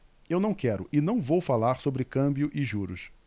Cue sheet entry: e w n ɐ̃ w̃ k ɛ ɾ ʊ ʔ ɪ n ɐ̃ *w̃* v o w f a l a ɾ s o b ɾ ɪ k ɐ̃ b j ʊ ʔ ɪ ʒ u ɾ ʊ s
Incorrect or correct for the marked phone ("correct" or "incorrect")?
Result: correct